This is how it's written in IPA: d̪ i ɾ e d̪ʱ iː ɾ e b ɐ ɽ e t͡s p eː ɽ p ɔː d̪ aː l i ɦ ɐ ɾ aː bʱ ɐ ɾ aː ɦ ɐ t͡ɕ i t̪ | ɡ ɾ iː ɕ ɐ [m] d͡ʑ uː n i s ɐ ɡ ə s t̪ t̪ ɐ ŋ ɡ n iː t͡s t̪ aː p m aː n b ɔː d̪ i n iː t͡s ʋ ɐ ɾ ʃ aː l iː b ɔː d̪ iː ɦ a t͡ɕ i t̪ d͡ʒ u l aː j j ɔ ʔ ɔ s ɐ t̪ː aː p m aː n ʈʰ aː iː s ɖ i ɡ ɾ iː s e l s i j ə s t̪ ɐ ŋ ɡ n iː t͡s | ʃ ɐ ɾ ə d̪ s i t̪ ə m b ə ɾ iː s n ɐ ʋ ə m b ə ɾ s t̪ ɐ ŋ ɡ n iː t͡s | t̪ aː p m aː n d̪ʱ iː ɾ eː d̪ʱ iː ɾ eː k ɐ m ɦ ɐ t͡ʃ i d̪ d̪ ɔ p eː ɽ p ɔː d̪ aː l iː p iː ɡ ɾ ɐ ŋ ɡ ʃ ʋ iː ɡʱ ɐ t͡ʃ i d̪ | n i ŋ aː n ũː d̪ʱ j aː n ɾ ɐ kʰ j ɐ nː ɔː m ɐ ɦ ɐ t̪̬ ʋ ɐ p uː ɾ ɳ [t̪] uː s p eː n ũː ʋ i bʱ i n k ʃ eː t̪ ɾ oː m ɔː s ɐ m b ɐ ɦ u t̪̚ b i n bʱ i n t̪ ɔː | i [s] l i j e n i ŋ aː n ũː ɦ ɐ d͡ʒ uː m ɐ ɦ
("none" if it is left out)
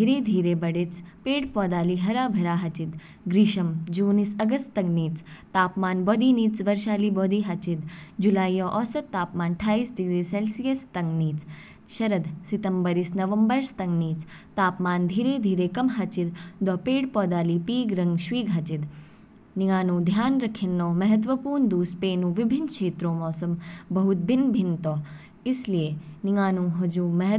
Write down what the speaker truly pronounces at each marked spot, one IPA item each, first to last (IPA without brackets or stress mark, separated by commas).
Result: m, d̪, s